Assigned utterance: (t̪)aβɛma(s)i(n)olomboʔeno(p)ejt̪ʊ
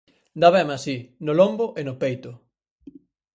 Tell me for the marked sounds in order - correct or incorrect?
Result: incorrect: d̪, correct, correct, correct

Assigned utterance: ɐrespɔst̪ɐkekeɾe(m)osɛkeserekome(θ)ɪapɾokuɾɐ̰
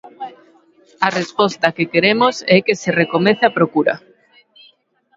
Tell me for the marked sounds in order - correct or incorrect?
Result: correct, correct

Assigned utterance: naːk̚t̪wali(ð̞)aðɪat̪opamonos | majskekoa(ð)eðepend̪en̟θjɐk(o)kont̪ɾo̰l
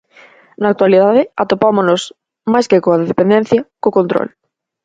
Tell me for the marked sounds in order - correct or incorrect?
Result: correct, correct, correct

